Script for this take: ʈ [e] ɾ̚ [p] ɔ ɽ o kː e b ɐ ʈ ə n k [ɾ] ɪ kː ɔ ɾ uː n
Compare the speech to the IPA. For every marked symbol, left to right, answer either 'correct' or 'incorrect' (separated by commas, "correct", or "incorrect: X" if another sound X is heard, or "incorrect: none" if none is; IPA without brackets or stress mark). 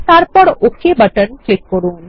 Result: incorrect: a, correct, incorrect: l